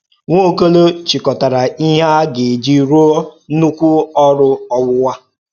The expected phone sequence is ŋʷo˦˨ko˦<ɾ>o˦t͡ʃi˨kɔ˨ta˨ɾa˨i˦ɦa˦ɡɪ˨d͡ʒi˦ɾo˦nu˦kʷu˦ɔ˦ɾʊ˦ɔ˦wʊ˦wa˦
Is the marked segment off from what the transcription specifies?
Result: yes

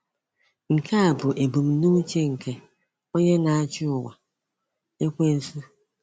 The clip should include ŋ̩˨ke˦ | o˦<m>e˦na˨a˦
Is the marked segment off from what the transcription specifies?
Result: yes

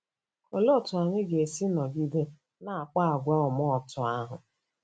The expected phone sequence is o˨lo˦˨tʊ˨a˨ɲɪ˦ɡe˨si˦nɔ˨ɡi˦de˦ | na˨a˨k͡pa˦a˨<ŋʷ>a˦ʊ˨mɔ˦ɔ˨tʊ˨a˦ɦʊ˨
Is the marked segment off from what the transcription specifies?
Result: yes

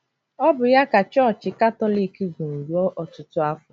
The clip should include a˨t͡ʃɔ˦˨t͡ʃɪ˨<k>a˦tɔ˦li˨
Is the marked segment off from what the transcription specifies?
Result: no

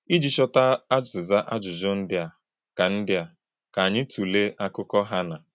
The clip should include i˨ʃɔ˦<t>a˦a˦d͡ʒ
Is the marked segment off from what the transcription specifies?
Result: no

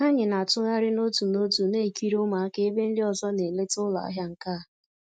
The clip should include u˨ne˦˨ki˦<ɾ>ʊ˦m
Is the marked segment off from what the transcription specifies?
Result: no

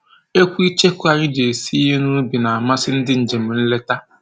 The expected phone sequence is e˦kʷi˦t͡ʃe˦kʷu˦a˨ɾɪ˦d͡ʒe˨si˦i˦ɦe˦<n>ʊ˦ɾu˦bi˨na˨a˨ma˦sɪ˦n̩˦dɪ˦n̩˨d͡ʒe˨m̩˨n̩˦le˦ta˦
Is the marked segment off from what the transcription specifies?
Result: no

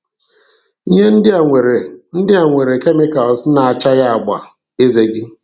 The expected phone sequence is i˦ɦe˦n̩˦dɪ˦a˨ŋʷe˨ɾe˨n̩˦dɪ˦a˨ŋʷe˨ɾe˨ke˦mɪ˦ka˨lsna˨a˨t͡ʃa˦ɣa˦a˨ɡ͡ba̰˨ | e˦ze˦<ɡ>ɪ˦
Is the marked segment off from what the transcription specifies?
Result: no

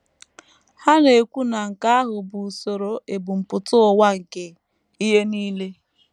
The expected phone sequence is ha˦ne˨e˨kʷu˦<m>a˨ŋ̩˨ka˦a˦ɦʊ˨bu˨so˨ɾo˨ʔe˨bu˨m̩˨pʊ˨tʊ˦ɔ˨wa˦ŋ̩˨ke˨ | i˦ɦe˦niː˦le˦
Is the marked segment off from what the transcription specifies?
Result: yes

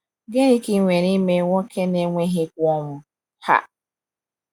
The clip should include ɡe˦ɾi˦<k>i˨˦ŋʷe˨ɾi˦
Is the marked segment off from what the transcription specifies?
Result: no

